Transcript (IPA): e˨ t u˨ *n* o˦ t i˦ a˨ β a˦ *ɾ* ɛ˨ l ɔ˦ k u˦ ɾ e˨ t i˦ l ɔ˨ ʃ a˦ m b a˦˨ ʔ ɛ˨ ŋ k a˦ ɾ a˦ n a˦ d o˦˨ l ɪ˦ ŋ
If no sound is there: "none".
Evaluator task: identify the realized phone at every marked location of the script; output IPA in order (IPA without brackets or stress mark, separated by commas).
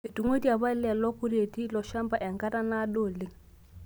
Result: ŋ, l